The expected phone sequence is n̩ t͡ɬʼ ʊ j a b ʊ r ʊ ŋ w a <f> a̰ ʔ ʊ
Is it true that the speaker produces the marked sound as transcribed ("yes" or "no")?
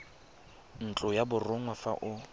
yes